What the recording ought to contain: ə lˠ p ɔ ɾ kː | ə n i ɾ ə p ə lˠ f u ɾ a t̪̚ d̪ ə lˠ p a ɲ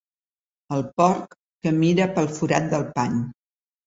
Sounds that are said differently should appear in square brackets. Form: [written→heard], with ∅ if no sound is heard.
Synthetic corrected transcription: ə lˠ p ɔ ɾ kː | ə [n→m] i ɾ ə p ə lˠ f u ɾ a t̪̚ d̪ ə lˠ p a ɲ